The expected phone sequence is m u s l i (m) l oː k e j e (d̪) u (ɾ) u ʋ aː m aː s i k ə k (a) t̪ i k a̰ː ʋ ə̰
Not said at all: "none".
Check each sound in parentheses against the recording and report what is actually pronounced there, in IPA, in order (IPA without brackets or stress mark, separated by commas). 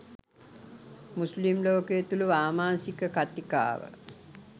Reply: m, t̪, l, a